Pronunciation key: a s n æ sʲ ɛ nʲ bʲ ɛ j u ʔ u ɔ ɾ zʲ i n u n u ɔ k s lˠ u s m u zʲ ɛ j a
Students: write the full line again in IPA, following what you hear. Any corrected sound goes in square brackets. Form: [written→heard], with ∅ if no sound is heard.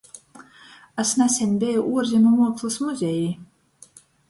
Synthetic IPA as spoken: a s n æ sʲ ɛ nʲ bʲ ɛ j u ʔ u ɔ ɾ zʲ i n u [n→m] u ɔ k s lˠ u s m u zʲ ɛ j [a→i]